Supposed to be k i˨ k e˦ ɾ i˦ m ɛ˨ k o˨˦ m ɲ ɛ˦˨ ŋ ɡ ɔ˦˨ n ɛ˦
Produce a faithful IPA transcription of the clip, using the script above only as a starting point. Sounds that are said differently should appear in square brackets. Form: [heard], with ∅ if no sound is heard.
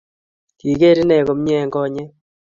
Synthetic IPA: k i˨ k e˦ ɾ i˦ [n] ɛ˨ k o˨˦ m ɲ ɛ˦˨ ŋ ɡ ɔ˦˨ [ɲ] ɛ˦